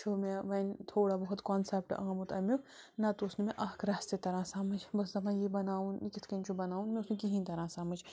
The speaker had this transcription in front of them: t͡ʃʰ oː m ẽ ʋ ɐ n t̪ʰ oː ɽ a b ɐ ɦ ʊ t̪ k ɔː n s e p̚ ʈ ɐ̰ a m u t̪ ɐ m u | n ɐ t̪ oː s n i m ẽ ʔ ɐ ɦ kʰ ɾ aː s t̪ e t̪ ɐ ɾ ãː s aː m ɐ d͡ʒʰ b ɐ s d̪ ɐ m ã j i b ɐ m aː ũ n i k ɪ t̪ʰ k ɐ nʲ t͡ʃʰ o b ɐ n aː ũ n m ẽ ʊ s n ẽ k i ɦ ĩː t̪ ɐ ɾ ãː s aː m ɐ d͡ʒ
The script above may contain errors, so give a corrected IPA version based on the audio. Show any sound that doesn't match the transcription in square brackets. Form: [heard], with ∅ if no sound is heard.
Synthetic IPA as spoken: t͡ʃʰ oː m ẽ ʋ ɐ n t̪ʰ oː ɽ a b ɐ ɦ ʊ t̪ k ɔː n s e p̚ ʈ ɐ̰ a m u t̪ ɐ m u | n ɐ t̪ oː s n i m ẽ ʔ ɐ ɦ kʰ ɾ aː s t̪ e t̪ ɐ ɾ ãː s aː m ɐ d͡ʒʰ b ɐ s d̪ ɐ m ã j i b ɐ [n] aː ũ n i k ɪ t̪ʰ k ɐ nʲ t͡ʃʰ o b ɐ n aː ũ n m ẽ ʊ s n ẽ k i ɦ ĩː t̪ ɐ ɾ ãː s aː m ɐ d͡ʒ